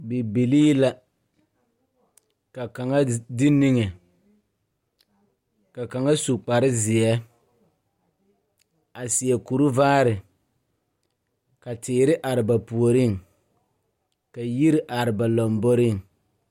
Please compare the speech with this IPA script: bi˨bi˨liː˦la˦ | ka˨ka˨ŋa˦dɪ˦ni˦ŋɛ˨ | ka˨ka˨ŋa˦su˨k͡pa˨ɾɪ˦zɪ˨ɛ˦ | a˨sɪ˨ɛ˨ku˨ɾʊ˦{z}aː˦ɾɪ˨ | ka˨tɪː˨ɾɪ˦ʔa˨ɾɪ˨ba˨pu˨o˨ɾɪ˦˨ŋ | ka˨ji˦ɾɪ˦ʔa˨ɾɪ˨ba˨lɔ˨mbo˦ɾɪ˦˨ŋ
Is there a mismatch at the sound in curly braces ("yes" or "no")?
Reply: yes